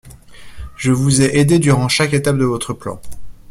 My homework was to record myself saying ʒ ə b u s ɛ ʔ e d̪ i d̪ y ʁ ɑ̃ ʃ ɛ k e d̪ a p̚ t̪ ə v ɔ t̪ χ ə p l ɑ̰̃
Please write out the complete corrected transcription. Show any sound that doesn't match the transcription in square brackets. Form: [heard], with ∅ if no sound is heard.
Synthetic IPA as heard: ʒ ə [v] u [z] ɛ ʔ e d̪ [e] d̪ y ʁ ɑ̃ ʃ [a] k e [t̪] a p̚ [d̪] ə v ɔ t̪ χ ə p l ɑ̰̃